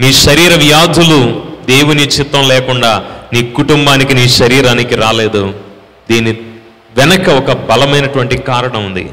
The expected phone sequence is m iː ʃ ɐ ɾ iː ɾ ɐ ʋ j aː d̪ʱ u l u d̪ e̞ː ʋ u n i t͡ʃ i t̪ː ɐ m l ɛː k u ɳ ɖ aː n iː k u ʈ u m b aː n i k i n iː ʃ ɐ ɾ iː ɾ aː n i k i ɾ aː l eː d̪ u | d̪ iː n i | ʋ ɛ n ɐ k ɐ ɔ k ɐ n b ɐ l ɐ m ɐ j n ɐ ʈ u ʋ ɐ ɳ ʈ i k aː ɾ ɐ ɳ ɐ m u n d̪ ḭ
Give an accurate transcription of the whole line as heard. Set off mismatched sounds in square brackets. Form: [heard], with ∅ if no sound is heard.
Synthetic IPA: m iː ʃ ɐ ɾ iː ɾ ɐ ʋ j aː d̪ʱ u l u d̪ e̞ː [w] u n i t͡ʃ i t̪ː ɐ m l ɛː k u ɳ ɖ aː n iː k u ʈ u m b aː n i k i n iː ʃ ɐ ɾ iː ɾ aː n i k i ɾ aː l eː d̪ u | d̪ iː n i | ʋ ɛ n ɐ k ɐ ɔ k ɐ [∅] b ɐ l ɐ m ɐ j n ɐ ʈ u ʋ ɐ ɳ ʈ i k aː ɾ ɐ ɳ ɐ m u n d̪ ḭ